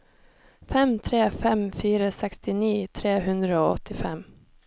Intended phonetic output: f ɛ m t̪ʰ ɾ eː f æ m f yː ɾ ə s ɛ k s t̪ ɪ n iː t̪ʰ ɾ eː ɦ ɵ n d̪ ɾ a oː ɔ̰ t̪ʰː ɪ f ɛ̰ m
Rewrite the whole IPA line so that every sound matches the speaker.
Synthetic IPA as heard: f ɛ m t̪ʰ ɾ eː f ɛ m f yː ɾ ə s ɛ k s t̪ ɪ n iː t̪ʰ ɾ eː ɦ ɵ n d̪ ɾ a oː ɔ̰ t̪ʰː ɪ f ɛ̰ m